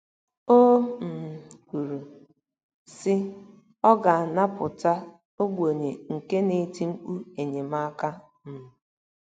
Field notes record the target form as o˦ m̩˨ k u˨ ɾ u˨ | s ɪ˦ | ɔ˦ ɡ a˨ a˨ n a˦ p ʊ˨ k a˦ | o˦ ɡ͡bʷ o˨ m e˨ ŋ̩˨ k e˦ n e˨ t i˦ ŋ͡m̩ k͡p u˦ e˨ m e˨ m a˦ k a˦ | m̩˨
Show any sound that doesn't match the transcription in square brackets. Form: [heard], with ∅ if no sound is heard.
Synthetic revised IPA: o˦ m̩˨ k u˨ ɾ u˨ | s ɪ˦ | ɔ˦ ɡ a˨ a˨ n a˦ p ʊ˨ [t] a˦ | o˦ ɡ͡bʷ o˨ [ɲ] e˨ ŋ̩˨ k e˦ n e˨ t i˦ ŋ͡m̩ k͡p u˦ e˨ [ɲ] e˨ m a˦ k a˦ | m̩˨

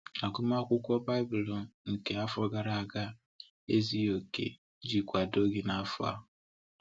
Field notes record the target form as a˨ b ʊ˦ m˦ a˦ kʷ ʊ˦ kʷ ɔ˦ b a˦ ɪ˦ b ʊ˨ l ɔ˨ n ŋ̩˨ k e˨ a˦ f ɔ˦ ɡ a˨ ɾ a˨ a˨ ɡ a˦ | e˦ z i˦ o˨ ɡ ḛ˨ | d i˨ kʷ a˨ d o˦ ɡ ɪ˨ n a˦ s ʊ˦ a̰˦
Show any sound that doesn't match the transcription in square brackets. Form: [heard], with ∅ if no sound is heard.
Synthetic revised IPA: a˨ [ɡ] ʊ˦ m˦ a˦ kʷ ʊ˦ kʷ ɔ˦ b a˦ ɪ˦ b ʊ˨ l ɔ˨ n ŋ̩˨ k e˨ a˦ f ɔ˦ ɡ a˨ ɾ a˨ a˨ ɡ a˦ | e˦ z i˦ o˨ [k] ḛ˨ | [d͡ʒ] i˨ kʷ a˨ d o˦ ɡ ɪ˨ n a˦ [f] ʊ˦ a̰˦

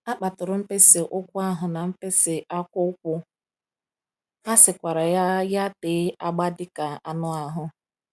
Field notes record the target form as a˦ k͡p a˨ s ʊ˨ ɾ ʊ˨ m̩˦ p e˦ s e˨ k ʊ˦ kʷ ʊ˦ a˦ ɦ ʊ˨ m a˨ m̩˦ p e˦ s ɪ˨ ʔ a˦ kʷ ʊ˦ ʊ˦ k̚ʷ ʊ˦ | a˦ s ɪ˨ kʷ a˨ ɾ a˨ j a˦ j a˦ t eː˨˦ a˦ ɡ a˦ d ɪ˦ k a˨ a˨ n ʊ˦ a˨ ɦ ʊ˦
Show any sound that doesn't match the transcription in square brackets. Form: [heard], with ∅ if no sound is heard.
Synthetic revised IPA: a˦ k͡p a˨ [t] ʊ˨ ɾ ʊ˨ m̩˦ p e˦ s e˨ [ʔ] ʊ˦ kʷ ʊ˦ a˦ ɦ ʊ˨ [n] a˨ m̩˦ p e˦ s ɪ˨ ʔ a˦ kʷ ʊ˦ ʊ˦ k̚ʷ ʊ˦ | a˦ s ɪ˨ kʷ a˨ ɾ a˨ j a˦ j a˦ t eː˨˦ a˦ [ɡ͡b] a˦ d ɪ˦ k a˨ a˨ n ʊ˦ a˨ ɦ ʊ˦

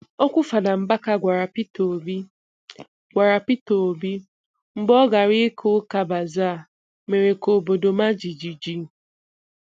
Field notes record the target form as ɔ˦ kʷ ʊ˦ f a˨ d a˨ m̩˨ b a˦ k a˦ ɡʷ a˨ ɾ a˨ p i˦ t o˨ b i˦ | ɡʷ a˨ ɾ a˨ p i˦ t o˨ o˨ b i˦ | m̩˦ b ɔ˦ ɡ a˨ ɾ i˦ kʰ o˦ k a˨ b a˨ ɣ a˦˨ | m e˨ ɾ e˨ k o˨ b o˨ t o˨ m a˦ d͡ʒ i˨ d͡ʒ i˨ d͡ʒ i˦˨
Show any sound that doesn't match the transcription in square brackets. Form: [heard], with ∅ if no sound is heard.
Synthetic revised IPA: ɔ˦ kʷ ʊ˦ f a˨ d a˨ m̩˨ b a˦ k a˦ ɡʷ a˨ ɾ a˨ p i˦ t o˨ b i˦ | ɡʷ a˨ ɾ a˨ p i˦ t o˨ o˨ b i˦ | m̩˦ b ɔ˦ ɡ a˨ ɾ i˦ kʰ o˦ k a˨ b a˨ [z] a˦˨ | m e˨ ɾ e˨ k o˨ b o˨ [d] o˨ m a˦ d͡ʒ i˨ d͡ʒ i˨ d͡ʒ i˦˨

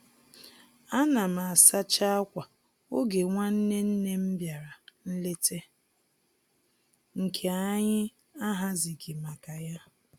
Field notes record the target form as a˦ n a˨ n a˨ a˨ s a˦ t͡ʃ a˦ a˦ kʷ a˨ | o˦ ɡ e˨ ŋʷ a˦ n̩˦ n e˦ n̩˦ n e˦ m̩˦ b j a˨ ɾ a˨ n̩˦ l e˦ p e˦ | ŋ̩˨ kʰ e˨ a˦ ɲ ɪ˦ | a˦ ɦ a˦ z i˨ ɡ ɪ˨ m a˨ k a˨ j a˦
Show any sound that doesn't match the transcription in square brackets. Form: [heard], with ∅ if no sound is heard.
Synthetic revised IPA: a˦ n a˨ [m] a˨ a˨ s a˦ t͡ʃ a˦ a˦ kʷ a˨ | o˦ ɡ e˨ ŋʷ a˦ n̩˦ n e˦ n̩˦ n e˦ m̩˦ b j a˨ ɾ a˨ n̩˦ l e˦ [t] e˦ | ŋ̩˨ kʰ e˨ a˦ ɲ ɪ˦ | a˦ ɦ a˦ z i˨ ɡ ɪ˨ m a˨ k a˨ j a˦

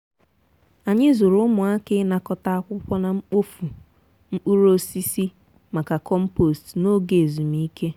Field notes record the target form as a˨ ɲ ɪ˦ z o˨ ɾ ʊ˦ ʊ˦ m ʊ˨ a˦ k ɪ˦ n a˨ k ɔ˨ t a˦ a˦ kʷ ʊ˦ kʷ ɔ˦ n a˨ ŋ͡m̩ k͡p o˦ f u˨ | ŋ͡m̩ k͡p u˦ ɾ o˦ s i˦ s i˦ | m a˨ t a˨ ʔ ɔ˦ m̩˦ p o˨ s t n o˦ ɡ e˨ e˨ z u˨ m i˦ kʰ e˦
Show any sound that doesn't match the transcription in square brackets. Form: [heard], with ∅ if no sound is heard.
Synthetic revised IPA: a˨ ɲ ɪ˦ z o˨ ɾ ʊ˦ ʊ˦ m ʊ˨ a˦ k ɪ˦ n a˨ k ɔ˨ t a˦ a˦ kʷ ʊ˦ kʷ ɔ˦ n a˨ ŋ͡m̩ k͡p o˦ f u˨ | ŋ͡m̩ k͡p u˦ ɾ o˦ s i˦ s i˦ | m a˨ [k] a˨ [k] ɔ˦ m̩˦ p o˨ s t n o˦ ɡ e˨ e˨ z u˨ m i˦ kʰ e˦

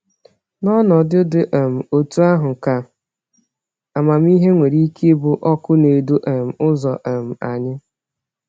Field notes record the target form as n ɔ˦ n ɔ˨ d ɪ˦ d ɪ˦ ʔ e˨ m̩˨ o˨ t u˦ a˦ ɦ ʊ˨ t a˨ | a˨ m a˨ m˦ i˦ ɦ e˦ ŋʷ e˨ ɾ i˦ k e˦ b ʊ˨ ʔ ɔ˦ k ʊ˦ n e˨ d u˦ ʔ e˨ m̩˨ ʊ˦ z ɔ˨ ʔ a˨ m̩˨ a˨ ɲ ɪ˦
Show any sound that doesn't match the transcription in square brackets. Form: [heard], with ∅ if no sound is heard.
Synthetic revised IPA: n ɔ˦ n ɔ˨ d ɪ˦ d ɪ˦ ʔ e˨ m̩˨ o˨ t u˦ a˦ ɦ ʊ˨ [k] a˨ | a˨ m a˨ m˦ i˦ ɦ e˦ ŋʷ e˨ ɾ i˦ k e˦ b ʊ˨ ʔ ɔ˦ k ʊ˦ n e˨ d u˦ ʔ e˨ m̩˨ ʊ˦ z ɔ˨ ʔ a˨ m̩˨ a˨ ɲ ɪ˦

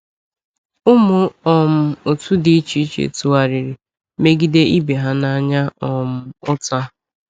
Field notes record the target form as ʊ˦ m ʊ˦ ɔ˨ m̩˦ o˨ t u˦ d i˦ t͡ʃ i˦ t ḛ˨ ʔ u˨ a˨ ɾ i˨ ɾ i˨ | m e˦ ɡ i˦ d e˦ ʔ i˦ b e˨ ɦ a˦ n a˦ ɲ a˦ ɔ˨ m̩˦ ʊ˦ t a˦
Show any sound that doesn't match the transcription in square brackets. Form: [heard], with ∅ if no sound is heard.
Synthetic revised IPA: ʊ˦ m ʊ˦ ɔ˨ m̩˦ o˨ t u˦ d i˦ t͡ʃ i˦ [t͡ʃ] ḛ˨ [t] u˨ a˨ ɾ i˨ ɾ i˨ | m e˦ ɡ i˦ d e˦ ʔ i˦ b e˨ ɦ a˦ n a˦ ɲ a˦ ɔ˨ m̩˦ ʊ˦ t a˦

